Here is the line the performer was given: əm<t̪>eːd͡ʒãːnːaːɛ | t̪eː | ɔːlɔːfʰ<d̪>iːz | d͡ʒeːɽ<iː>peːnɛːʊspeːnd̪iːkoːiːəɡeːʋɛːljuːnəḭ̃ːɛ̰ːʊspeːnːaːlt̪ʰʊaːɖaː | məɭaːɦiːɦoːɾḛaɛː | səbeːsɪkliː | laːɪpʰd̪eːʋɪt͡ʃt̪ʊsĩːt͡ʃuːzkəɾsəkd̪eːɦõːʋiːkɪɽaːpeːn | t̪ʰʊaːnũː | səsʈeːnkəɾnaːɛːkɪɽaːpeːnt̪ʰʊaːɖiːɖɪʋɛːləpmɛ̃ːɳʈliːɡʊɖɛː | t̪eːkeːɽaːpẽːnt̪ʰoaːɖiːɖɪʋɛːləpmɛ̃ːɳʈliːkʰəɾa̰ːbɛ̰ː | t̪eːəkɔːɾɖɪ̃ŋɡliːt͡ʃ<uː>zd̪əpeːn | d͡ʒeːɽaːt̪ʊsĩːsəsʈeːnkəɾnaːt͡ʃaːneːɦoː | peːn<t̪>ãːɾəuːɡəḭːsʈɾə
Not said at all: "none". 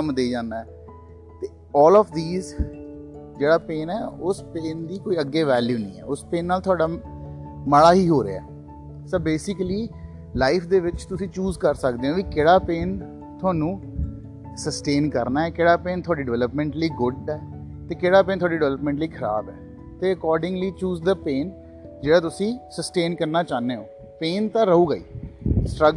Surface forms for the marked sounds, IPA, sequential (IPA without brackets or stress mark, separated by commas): d̪, d̪, aː, uː, t̪